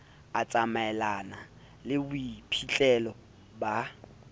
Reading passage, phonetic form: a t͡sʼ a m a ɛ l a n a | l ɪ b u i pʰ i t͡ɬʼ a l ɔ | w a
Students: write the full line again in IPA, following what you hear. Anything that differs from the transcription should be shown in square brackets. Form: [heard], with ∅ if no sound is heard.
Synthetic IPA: a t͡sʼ a m a ɛ l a n a | l ɪ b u i pʰ i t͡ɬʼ [ɛ] l ɔ | [b] a